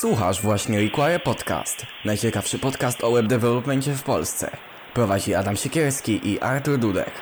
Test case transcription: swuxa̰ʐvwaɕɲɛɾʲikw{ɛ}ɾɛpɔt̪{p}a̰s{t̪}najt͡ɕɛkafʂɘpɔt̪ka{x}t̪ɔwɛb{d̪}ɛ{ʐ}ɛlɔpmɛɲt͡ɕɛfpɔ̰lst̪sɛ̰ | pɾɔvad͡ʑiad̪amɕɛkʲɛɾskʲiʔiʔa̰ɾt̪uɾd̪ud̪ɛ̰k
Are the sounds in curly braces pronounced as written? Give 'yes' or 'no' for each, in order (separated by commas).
no, no, yes, no, yes, no